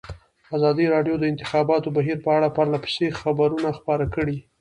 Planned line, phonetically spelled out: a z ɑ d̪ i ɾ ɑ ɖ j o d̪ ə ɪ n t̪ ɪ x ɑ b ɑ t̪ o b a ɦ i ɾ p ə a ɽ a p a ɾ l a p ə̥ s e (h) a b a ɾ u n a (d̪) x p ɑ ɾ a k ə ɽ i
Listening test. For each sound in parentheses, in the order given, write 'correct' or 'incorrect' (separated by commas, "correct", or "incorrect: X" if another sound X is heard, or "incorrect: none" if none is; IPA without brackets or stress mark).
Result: incorrect: x, incorrect: none